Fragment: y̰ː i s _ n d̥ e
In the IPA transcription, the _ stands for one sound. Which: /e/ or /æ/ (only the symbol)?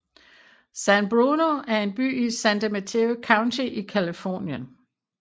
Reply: æ